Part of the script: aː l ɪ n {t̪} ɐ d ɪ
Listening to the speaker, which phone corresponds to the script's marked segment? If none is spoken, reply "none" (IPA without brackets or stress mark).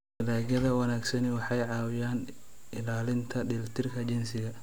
t̪ʰ